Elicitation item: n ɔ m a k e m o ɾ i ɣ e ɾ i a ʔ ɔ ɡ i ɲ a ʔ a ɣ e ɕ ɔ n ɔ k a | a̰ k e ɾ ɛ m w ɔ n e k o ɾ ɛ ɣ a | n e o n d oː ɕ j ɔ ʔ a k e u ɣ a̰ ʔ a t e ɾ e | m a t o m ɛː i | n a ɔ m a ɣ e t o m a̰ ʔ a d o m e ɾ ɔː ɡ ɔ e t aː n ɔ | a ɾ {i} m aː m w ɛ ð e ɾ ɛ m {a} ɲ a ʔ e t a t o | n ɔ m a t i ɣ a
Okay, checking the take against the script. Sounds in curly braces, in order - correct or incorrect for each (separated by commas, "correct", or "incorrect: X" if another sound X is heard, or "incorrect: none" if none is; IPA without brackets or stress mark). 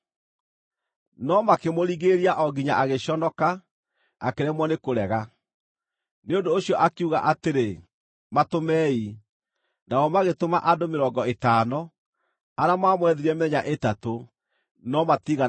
incorrect: a, incorrect: ɛ